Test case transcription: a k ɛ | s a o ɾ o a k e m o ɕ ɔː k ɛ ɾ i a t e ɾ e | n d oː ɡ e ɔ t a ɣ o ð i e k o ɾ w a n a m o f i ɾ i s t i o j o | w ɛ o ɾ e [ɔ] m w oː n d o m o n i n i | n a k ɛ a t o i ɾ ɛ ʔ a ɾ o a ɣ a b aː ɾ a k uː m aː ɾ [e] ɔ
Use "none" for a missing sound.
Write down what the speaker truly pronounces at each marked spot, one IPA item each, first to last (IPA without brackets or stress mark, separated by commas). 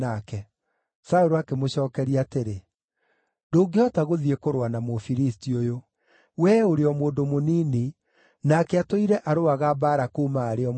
ɔ, e